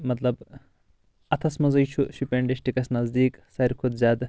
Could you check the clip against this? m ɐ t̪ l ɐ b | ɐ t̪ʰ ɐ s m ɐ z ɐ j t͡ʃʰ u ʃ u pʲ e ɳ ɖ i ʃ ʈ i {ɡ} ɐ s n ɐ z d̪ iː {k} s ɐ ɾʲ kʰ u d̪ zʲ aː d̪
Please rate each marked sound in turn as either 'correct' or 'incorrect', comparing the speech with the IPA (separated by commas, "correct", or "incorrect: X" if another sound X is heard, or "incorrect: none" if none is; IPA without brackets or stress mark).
incorrect: k, correct